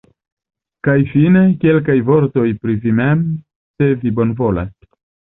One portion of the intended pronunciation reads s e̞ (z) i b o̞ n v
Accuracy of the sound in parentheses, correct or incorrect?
incorrect